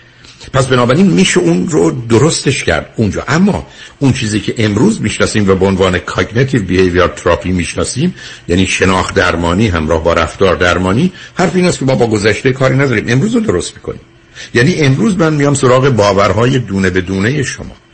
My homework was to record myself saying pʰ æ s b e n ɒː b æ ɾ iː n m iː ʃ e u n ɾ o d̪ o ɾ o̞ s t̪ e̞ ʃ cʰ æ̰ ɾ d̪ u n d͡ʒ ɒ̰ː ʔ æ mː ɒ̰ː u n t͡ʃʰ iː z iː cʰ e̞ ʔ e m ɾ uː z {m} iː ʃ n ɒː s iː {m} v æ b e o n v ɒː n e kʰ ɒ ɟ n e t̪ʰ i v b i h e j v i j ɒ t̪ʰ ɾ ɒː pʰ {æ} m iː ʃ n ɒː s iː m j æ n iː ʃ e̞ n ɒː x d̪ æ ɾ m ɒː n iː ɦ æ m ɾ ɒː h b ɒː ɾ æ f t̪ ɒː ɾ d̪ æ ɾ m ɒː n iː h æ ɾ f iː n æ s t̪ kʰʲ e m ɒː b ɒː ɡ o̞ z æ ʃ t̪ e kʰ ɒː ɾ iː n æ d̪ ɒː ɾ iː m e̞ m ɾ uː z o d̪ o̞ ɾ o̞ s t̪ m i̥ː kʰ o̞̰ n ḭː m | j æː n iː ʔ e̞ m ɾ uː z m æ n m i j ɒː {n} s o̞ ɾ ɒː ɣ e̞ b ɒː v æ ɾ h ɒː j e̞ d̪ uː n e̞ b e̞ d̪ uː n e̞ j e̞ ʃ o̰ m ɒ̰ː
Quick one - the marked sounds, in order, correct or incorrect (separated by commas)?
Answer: correct, correct, incorrect, incorrect